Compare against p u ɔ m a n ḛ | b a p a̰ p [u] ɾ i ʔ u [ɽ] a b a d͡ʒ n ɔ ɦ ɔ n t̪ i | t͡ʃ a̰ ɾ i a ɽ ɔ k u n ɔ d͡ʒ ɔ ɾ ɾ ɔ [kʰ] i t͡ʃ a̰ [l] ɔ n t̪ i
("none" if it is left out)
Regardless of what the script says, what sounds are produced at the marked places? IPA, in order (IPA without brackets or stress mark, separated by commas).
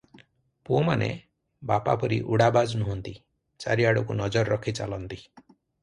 ɔ, ɽ, kʰ, l